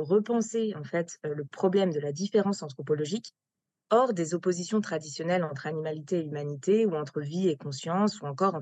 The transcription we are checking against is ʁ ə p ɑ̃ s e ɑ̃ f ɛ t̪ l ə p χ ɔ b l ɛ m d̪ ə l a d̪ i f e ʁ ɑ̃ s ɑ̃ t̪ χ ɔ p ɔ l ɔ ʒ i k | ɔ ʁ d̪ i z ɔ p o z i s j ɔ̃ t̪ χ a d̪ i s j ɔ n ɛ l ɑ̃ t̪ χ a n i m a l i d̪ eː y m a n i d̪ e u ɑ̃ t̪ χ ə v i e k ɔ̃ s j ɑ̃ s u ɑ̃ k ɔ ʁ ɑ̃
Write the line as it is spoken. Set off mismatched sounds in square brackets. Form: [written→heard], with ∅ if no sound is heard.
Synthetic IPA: ʁ ə p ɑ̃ s e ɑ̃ f ɛ t̪ l ə p χ ɔ b l ɛ m d̪ ə l a d̪ i f e ʁ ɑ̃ s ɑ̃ t̪ χ ɔ p ɔ l ɔ ʒ i k | ɔ ʁ d̪ [i→e] z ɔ p o z i s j ɔ̃ t̪ χ a d̪ i s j ɔ n ɛ l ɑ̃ t̪ χ a n i m a l i [d̪→t̪] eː y m a n i [d̪→t̪] e u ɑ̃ t̪ χ ə v i e k ɔ̃ s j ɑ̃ s u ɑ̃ k ɔ ʁ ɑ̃